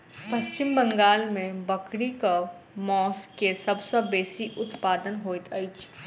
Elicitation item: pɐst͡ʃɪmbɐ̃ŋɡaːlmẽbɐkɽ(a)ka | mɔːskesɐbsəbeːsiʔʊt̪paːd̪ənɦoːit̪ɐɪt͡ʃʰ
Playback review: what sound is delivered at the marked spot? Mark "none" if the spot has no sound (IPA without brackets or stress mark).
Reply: i